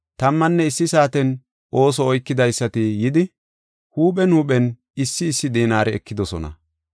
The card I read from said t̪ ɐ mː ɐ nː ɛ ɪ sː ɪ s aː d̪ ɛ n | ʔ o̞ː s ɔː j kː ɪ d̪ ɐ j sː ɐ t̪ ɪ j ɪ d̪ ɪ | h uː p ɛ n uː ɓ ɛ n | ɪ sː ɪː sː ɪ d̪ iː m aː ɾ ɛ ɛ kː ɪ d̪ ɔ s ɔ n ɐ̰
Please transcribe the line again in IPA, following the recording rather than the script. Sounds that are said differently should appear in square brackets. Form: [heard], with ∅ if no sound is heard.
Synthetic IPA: t̪ ɐ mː ɐ nː ɛ ɪ sː ɪ s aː [t̪] ɛ n | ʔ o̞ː s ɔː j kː ɪ d̪ ɐ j sː ɐ t̪ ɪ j ɪ d̪ ɪ | h uː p ɛ n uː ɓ ɛ n | ɪ sː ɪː sː ɪ d̪ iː [n] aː ɾ ɛ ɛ kː ɪ d̪ ɔ s ɔ n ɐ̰